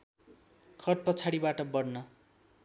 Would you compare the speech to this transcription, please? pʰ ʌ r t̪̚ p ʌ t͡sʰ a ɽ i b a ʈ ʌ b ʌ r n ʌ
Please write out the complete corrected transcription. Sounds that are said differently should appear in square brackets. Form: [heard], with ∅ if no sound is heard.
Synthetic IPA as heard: [kʰ] ʌ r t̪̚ p ʌ t͡sʰ a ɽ i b a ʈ ʌ b ʌ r n ʌ